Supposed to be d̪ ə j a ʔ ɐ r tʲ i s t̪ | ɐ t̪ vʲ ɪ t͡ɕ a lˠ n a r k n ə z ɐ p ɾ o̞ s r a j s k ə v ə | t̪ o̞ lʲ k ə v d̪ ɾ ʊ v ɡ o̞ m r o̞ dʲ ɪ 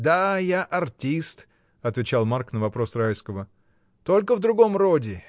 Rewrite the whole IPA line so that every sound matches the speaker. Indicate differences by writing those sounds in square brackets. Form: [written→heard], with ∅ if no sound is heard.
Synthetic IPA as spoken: d̪ [ə→a] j a ʔ ɐ r tʲ i s t̪ | ɐ t̪ vʲ ɪ t͡ɕ a lˠ [n→m] a r k n ə [z→v] ɐ p ɾ o̞ s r a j s k ə v ə | t̪ o̞ lʲ k ə v d̪ ɾ ʊ [v→∅] ɡ o̞ m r o̞ dʲ ɪ